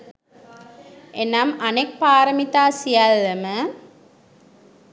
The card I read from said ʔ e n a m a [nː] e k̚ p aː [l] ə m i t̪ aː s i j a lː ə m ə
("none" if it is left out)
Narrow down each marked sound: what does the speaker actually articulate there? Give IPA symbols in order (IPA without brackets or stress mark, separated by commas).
n, ɾ